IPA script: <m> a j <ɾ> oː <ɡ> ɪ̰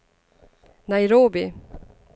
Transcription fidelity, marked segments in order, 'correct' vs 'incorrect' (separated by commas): incorrect, correct, incorrect